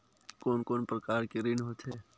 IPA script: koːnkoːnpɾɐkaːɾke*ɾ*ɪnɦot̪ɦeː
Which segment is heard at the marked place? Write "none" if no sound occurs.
ɾ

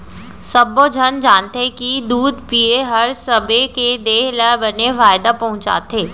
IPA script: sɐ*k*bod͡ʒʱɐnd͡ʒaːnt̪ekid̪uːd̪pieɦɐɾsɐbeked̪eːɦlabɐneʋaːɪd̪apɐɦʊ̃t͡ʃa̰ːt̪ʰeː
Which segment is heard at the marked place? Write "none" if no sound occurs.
none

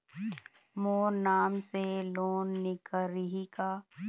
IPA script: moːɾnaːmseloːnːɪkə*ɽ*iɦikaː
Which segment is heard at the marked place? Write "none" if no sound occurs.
ɾ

